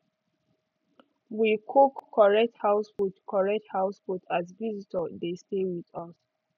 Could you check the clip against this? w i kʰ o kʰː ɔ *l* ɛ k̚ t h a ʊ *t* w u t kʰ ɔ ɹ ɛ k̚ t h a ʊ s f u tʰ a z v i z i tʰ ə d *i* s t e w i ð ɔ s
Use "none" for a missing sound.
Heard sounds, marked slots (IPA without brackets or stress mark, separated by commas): ɹ, s, e